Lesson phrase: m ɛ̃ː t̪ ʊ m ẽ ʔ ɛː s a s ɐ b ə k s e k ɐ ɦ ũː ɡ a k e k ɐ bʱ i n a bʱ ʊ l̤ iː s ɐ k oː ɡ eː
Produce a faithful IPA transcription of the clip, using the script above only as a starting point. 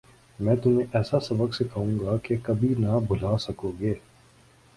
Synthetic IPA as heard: m ɛ̃ː t̪ ʊ m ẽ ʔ ɛː s a s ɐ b ə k s e k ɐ ɦ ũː ɡ a k e k ɐ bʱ i n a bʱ ʊ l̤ aː s ɐ k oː ɡ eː